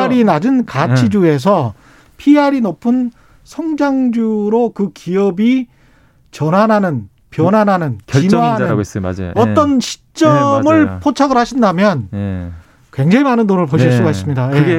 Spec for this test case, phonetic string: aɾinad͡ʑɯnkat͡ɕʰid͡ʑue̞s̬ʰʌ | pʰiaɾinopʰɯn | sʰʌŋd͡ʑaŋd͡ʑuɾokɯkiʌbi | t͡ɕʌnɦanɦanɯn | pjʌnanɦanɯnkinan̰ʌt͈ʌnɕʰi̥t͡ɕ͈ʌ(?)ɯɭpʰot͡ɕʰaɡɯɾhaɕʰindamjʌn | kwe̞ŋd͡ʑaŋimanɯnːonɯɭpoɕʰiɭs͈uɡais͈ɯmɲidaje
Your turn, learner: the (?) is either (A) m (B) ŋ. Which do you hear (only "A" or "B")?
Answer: A